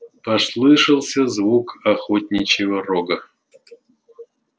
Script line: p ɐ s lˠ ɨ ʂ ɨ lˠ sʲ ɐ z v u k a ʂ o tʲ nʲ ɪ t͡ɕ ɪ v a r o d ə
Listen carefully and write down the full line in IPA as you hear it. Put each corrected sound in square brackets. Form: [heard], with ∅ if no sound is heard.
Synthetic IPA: p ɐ s lˠ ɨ ʂ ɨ lˠ sʲ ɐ z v u k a [x] o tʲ nʲ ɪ t͡ɕ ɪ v [ə] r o [ɡ] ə